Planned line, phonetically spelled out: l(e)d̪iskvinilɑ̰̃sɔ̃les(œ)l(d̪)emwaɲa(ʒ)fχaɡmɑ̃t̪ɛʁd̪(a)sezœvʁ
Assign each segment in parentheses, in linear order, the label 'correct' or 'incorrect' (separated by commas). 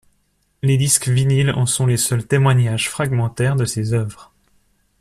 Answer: correct, correct, incorrect, correct, incorrect